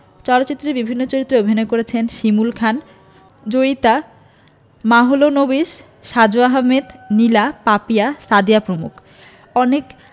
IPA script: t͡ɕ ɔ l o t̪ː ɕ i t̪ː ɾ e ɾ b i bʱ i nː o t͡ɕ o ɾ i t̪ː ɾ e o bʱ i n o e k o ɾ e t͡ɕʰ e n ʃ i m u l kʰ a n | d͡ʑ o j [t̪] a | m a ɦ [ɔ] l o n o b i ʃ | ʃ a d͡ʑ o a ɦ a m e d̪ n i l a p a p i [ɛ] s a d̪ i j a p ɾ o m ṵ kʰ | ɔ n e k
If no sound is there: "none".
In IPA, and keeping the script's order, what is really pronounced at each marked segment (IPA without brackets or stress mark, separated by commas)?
t̪, o, a